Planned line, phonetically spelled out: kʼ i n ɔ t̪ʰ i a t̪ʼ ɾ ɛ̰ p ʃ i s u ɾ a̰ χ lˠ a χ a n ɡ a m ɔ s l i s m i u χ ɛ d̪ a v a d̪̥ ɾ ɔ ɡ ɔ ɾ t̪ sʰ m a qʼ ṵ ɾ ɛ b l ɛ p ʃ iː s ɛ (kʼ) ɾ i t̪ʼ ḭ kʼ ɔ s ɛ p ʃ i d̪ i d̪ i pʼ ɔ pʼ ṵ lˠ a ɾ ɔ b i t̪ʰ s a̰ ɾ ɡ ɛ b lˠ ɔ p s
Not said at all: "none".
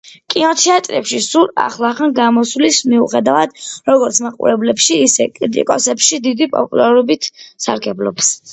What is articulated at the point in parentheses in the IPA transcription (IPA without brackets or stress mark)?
kʼ